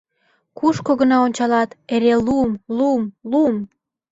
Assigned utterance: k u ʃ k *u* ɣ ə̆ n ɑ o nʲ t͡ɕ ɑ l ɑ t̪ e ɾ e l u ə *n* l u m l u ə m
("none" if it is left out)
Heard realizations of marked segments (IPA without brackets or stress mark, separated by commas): o, m